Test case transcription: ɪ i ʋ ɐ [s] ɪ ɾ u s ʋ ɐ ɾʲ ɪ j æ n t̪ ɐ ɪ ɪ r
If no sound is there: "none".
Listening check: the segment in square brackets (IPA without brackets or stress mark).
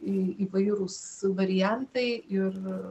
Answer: none